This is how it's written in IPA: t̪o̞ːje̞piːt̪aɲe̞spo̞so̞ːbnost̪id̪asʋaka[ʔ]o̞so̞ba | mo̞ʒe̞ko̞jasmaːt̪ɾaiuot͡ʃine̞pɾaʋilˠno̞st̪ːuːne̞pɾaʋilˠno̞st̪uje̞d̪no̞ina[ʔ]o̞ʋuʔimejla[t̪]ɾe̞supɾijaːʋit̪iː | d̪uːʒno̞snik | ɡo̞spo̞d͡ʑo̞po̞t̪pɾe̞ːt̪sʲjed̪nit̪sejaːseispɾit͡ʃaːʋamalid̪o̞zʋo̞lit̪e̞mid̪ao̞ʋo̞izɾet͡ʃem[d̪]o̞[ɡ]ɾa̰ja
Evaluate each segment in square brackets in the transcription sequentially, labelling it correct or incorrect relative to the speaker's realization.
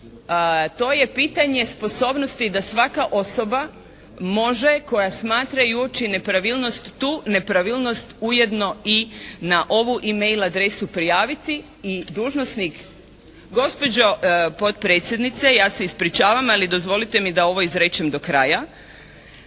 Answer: correct, correct, incorrect: d̪, correct, incorrect: k

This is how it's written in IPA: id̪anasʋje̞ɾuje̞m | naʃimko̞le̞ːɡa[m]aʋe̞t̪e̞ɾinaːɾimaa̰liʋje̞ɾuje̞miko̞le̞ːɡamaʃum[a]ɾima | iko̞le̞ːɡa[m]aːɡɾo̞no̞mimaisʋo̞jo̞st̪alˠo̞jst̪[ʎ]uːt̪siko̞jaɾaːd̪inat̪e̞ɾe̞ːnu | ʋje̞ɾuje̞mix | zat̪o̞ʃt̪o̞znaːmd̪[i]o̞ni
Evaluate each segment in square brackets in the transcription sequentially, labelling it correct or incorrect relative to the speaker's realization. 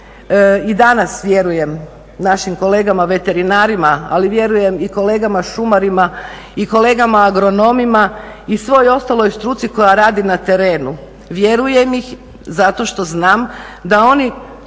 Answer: correct, correct, correct, incorrect: ɾ, incorrect: a

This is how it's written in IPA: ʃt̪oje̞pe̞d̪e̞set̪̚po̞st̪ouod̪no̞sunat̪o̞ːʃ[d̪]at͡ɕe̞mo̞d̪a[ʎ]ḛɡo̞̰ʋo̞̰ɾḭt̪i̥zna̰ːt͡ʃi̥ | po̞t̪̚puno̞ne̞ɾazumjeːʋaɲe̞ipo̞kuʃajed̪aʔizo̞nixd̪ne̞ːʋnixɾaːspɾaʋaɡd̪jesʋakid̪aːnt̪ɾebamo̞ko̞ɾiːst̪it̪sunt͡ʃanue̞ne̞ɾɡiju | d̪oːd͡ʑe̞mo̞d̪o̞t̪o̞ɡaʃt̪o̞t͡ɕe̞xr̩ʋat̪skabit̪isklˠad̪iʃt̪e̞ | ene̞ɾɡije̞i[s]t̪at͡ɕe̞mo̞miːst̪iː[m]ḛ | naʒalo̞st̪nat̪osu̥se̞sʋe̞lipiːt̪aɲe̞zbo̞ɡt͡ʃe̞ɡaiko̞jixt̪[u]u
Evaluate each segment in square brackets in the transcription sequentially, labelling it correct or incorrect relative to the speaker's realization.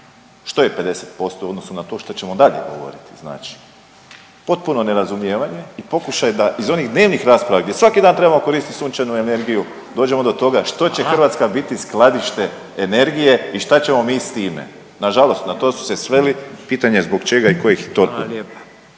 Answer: incorrect: t̪, correct, incorrect: ʃ, correct, incorrect: o

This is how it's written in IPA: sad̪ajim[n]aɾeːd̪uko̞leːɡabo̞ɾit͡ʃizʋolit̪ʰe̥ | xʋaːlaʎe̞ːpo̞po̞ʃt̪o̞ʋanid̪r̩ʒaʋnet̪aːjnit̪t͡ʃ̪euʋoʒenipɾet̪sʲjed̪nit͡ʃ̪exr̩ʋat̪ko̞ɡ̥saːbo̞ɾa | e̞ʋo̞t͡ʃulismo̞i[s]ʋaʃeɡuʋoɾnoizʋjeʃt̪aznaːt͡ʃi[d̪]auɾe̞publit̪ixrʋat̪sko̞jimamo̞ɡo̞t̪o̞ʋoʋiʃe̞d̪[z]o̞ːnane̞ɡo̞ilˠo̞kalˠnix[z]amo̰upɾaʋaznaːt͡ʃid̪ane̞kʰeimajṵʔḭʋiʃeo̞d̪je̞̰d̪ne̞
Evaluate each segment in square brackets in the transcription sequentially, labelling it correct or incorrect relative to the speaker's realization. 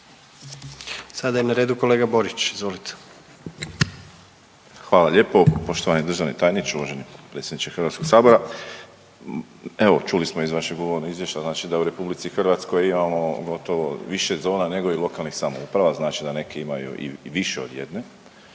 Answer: correct, incorrect: z, correct, correct, incorrect: s

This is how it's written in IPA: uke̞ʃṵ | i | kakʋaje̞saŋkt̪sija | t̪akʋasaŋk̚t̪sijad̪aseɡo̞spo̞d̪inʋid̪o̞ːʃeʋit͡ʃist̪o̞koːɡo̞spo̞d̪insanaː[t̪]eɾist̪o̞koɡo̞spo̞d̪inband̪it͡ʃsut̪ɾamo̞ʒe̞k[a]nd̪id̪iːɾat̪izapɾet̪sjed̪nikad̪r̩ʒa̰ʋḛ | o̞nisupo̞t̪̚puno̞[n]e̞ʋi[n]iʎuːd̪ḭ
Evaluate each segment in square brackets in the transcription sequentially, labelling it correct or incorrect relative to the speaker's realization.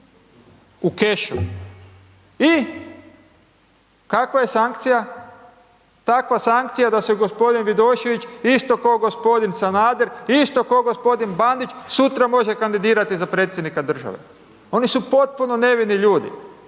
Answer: incorrect: d̪, correct, correct, correct

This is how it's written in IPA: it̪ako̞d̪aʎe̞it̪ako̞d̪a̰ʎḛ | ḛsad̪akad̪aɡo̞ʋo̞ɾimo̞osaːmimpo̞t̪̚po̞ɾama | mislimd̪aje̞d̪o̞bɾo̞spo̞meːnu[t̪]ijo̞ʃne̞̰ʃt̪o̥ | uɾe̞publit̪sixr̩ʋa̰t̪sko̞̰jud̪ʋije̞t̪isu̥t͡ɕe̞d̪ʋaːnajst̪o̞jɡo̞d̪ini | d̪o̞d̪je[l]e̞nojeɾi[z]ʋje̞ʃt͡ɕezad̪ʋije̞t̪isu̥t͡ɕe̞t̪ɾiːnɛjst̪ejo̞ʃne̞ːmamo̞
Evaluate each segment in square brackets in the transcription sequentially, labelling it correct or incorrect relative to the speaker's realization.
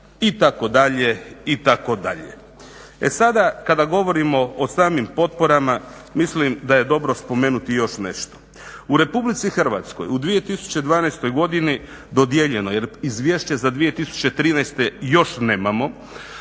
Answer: correct, incorrect: ʎ, correct

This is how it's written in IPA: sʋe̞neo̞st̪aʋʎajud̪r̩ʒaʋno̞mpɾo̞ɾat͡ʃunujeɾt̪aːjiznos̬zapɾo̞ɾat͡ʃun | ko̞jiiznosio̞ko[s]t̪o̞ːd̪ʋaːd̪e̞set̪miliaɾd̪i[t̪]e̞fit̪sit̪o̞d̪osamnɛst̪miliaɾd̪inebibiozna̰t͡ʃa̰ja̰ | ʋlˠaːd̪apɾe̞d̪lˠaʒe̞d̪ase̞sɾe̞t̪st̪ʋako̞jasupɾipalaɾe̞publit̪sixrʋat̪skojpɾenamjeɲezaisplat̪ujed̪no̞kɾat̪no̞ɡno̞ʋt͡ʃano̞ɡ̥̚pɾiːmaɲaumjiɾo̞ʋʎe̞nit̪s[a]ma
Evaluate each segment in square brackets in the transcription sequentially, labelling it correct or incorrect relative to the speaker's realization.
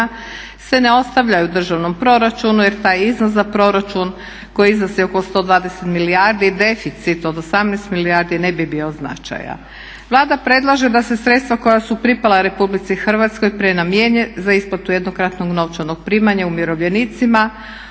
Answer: correct, incorrect: d̪, incorrect: i

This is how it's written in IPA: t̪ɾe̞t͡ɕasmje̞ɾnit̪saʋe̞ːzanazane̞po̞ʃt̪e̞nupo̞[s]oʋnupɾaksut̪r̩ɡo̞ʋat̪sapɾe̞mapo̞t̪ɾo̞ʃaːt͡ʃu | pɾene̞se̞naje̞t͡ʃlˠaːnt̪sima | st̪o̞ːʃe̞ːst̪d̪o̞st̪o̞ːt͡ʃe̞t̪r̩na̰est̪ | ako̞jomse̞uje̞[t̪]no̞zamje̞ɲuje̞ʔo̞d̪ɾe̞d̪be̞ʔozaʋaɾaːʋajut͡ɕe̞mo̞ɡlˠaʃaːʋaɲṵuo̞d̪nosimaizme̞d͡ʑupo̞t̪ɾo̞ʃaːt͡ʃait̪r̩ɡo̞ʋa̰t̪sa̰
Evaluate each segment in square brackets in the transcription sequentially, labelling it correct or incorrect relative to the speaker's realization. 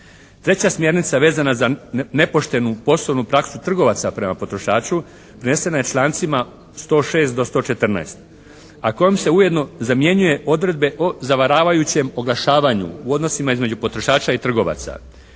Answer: correct, incorrect: d̪

